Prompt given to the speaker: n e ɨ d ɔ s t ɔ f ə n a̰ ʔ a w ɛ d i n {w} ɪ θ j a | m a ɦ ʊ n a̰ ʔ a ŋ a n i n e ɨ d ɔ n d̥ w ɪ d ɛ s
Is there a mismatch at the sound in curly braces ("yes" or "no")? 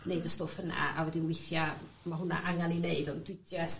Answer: no